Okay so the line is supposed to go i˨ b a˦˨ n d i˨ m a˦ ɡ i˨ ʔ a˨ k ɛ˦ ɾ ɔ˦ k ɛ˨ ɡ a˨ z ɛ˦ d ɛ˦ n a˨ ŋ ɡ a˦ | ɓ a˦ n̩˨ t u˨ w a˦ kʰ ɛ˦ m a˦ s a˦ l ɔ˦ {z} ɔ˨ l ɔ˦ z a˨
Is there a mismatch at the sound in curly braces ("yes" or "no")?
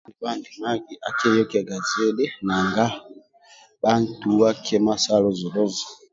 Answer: no